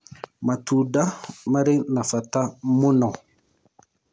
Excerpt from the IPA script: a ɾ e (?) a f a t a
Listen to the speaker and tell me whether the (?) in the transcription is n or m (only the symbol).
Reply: n